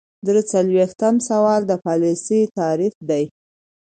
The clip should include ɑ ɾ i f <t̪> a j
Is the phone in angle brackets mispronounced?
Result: yes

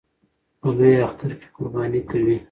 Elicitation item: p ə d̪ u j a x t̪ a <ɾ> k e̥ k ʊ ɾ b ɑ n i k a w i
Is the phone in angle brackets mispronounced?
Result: no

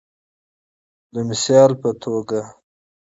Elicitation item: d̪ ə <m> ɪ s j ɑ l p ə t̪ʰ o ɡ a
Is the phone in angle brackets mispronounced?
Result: no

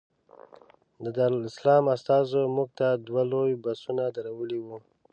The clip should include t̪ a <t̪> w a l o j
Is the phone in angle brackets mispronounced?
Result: yes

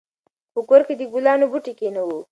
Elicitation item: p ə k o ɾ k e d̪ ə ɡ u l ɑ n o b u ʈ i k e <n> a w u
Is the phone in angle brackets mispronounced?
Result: no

